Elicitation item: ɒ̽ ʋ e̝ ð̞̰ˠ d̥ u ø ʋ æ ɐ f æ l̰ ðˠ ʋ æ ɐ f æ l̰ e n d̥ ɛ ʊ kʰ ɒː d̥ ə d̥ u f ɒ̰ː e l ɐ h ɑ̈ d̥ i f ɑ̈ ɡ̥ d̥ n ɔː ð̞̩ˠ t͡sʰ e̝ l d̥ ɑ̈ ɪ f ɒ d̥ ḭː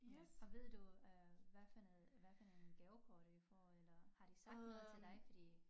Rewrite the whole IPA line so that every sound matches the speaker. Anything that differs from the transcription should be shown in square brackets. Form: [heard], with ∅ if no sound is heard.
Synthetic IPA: ɒ̽ ʋ e̝ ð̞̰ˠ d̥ u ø ʋ æ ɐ f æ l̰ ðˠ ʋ æ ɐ f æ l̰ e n [ɡ̥] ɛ ʊ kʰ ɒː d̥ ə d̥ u f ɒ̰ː e l ɐ h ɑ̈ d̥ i [s] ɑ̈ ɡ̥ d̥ n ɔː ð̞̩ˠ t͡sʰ e̝ l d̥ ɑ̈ ɪ f ɒ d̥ ḭː